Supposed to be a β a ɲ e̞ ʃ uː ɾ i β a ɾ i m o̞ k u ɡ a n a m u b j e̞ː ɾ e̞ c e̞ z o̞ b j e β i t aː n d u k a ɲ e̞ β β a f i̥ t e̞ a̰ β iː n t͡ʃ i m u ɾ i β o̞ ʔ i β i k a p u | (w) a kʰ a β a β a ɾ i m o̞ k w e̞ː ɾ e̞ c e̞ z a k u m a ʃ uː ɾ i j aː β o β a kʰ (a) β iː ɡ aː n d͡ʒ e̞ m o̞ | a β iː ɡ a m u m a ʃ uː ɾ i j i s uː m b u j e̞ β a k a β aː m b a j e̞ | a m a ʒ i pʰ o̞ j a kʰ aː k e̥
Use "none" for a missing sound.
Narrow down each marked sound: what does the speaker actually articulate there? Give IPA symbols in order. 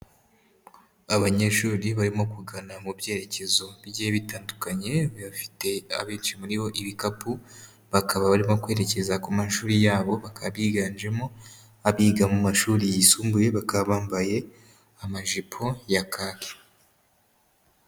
β, a

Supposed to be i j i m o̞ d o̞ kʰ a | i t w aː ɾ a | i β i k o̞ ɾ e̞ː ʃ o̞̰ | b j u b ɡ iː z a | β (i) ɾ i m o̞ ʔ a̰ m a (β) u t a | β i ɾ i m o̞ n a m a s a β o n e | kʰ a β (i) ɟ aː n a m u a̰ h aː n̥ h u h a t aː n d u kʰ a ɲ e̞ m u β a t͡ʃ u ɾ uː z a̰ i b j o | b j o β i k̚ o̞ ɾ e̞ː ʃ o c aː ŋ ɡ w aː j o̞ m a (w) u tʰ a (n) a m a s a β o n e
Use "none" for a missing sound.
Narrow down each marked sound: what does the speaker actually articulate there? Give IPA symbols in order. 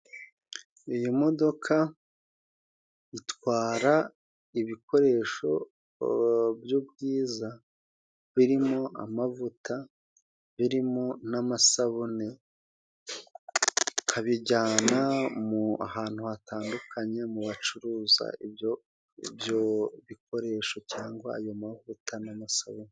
i, v, i, v, n

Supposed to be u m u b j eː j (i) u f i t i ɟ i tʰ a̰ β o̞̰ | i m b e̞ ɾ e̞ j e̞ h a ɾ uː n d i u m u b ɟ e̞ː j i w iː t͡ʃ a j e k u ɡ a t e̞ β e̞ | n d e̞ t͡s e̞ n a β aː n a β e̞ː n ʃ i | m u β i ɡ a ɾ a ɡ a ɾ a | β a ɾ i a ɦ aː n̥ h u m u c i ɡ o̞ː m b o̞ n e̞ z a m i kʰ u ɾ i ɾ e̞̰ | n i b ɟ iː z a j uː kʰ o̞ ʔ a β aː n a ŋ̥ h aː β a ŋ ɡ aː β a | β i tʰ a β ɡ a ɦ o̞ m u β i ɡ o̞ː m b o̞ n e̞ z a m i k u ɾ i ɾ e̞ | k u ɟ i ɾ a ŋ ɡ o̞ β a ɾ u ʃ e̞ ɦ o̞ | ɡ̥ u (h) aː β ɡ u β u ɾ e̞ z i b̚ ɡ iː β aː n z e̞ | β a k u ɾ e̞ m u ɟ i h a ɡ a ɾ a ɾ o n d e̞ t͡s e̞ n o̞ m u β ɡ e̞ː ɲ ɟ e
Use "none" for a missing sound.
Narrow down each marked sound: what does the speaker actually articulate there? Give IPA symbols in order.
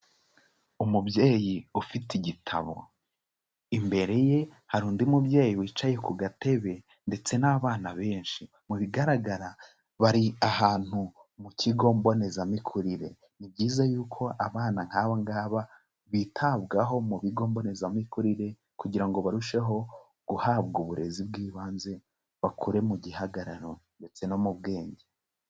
i, h

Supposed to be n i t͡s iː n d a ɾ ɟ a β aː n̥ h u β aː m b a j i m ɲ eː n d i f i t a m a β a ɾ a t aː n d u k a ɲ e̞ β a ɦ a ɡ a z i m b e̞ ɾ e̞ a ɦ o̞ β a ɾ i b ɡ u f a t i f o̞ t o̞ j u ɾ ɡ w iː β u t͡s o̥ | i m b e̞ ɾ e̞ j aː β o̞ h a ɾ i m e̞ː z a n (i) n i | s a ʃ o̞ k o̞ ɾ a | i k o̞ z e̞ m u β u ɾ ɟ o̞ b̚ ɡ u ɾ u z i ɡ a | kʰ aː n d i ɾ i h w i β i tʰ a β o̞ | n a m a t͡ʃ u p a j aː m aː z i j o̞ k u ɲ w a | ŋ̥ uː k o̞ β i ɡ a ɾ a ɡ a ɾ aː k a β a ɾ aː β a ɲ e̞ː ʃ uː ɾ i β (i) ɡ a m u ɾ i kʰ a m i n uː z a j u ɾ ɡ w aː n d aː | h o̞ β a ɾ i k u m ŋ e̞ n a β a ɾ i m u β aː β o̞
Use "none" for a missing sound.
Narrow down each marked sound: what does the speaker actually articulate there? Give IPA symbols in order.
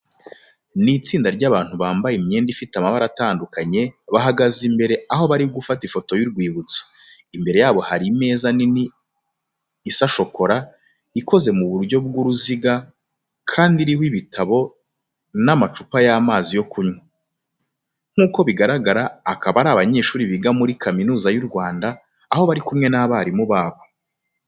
i, i

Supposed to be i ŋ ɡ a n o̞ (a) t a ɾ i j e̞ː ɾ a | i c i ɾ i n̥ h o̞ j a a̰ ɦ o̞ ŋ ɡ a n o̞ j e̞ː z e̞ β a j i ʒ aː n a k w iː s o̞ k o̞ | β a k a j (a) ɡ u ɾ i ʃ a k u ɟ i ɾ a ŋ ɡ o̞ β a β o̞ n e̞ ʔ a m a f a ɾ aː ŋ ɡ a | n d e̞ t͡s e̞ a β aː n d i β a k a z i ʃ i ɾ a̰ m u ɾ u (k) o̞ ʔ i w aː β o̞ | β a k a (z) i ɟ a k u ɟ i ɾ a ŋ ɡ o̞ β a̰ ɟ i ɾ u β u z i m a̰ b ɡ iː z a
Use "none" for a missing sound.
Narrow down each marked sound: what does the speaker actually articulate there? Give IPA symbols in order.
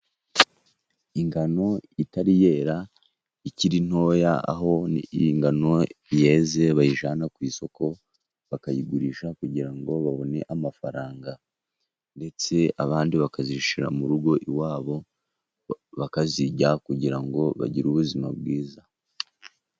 i, i, ɡ, z

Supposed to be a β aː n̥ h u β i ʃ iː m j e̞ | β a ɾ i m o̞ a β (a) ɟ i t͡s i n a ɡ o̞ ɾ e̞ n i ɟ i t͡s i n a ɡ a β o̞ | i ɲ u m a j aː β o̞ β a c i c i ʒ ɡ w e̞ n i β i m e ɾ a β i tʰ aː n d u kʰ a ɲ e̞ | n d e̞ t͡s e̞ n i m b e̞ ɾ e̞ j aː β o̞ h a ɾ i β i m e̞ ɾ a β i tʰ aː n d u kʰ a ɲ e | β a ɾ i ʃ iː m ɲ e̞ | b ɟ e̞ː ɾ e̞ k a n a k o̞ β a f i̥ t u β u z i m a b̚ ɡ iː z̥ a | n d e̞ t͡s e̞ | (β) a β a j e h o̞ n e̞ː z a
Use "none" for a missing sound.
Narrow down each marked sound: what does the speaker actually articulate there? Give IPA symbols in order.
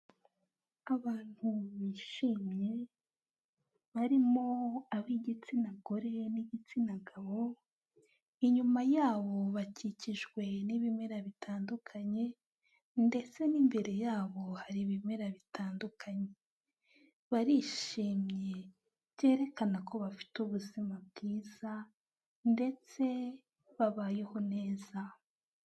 i, β

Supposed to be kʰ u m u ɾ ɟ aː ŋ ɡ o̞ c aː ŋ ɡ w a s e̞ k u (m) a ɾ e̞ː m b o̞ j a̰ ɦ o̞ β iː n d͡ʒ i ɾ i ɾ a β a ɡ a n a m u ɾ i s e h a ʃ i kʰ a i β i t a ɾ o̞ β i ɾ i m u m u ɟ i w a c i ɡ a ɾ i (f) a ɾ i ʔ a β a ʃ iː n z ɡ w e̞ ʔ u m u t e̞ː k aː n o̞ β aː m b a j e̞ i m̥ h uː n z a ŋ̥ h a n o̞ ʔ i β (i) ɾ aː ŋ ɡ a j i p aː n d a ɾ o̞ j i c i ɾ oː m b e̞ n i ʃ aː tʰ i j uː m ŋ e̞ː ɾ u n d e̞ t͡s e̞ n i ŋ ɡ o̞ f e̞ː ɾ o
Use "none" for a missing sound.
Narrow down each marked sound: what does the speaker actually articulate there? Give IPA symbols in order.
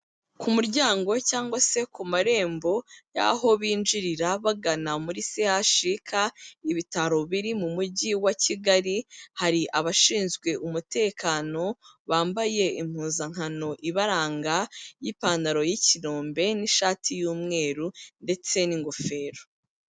m, h, a

